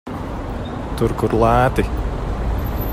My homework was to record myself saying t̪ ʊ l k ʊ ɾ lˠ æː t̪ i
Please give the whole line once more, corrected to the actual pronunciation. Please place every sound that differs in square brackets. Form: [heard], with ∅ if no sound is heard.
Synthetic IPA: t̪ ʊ [ɾ] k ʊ ɾ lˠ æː t̪ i